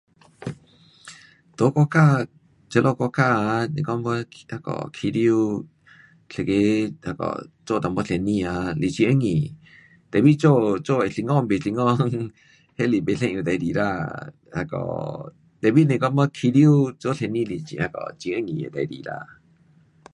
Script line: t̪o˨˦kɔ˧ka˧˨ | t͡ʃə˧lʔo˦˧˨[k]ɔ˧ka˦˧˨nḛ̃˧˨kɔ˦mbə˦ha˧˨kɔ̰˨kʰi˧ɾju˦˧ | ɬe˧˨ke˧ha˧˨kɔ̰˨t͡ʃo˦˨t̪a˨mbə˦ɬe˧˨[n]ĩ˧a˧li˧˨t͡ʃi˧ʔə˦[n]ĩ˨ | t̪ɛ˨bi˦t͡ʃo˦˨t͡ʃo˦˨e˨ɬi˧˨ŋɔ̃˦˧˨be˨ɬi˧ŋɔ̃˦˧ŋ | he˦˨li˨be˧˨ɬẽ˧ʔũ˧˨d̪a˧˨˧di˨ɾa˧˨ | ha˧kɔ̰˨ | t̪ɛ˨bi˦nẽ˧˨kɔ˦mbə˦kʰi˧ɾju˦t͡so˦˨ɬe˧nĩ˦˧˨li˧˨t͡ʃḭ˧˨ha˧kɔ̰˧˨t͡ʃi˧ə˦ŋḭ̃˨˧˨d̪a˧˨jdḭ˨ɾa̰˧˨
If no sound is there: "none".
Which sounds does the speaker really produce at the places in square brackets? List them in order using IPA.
k, n, ŋ

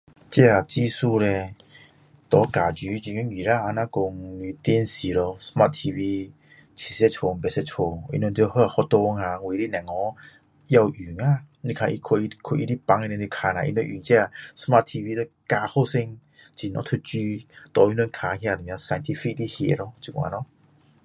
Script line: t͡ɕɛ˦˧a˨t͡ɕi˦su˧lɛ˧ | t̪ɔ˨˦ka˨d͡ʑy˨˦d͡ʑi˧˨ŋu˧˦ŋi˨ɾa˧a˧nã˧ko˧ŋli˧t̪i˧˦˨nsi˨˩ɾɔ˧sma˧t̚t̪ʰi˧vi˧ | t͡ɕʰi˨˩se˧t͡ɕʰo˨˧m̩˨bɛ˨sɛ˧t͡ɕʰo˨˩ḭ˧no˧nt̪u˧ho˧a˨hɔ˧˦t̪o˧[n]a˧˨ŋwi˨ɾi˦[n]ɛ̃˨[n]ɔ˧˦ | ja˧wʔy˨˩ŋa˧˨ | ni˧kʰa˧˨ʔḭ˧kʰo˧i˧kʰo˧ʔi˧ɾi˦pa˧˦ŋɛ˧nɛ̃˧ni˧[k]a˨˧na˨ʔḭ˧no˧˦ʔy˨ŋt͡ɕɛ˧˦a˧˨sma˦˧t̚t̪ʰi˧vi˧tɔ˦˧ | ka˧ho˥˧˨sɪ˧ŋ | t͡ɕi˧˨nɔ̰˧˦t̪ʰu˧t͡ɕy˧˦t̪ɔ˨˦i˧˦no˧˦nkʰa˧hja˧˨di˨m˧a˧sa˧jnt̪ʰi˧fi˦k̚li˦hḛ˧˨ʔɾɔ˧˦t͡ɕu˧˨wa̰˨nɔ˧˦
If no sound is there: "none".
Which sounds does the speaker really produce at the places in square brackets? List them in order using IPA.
ŋ, n, ŋ, kʰ

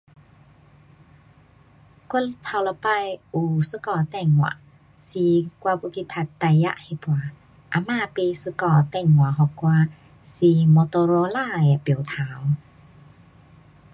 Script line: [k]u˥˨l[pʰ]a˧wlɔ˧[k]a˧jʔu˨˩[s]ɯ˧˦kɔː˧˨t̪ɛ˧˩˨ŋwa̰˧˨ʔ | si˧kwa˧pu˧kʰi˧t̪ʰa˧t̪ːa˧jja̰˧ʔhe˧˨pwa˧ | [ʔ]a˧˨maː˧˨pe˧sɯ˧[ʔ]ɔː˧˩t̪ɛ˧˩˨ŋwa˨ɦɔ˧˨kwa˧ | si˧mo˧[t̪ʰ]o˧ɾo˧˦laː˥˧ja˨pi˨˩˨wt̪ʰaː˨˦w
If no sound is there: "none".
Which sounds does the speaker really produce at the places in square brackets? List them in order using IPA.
k, pʰ, p, s, ʔ, k, t̪

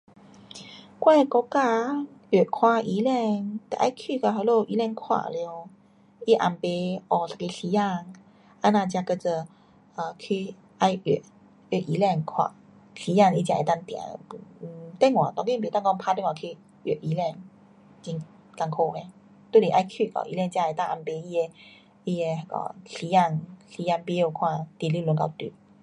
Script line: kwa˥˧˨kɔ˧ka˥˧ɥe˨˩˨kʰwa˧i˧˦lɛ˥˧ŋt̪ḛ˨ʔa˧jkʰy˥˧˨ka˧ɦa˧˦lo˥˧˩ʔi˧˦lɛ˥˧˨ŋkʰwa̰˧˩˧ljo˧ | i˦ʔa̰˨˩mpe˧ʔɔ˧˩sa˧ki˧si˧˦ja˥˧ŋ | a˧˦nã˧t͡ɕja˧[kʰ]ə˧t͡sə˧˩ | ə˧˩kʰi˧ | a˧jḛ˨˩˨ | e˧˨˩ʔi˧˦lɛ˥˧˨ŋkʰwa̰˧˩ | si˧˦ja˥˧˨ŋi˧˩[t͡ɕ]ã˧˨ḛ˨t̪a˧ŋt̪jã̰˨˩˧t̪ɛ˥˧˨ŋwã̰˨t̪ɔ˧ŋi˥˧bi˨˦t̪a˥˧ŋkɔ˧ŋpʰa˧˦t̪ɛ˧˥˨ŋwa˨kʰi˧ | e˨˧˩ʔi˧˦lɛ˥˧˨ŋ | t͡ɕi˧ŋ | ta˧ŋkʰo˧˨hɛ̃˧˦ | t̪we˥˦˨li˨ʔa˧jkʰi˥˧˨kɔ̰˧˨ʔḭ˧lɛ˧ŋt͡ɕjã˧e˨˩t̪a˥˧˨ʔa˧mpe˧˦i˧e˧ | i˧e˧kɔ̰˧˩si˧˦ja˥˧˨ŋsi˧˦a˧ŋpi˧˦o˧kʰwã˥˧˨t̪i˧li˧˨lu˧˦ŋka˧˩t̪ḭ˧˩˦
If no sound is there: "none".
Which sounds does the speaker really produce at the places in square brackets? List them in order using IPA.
k, t͡ɕ

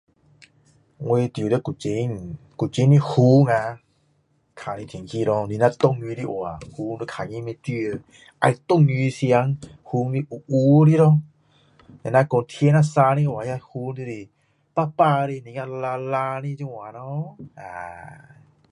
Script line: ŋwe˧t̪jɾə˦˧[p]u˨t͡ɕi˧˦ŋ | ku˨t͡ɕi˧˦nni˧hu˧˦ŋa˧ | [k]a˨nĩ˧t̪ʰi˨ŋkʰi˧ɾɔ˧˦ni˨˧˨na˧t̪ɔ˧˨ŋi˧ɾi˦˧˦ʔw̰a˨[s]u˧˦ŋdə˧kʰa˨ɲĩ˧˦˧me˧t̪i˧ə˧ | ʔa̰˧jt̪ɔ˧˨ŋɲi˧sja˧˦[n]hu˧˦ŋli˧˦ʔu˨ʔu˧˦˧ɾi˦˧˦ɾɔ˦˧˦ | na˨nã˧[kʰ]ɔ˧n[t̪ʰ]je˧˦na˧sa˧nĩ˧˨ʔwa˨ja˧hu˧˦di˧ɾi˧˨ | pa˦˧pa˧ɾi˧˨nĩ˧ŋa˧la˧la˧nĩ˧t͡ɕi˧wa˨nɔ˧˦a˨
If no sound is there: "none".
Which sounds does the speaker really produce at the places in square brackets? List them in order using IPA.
k, kʰ, h, ŋ, k, t̪ʰ

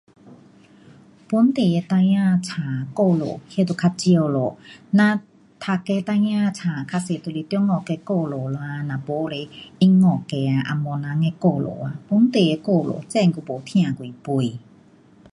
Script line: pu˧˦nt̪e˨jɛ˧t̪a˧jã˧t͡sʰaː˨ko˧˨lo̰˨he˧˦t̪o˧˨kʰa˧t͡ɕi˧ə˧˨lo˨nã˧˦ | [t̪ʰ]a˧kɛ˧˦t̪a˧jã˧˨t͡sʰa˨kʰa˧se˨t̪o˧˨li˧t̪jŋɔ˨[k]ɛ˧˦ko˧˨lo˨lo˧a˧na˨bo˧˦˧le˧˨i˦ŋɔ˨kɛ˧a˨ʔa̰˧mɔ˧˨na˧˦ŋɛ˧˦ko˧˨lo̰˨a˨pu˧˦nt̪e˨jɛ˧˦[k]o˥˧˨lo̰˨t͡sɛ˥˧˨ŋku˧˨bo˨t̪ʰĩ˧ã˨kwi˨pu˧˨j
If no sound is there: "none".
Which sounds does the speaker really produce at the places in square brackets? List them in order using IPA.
t̪ʰ, k, k

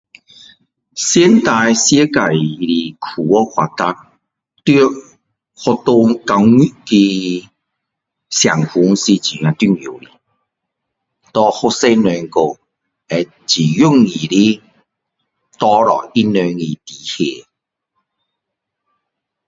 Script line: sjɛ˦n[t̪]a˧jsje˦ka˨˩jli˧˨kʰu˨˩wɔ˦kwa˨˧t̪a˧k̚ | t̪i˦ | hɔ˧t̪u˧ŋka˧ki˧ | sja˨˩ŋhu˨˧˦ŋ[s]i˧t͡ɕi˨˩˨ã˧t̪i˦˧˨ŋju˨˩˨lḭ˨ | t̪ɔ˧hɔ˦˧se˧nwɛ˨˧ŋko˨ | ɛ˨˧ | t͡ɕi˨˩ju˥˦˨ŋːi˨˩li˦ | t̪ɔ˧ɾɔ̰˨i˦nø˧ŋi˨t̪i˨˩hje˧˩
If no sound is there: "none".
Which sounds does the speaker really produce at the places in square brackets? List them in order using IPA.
t̪, s

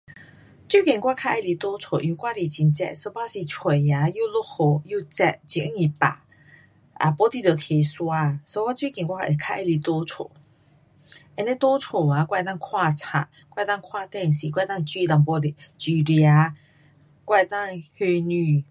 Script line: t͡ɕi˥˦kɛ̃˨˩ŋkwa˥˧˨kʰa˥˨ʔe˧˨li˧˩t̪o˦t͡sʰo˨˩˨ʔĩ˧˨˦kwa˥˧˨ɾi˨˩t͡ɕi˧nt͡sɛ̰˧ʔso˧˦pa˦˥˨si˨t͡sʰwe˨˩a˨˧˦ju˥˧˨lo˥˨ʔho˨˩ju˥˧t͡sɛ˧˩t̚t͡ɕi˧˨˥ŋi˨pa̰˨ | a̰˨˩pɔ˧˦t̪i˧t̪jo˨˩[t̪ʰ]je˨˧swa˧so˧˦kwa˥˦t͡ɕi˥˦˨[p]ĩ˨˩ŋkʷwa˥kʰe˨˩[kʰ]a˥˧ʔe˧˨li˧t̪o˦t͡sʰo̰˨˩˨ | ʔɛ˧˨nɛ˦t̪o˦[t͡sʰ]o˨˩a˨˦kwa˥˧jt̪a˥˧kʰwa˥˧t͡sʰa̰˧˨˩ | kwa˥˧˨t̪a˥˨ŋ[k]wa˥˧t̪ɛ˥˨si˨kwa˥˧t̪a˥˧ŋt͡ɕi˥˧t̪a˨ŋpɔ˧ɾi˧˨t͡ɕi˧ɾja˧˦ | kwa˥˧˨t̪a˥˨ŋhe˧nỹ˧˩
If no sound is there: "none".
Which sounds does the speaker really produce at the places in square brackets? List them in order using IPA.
t̪ʰ, k, kʰ, t͡sʰ, kʰ

